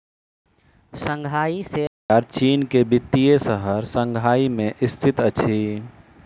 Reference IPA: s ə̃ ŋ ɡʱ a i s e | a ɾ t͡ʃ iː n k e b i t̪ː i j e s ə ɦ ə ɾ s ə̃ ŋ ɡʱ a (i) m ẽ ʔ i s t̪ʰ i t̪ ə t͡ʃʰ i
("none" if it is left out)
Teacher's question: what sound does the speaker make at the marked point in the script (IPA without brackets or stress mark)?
i